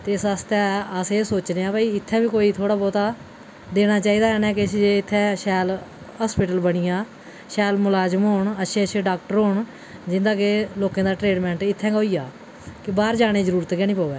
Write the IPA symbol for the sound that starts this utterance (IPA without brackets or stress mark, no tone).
t̪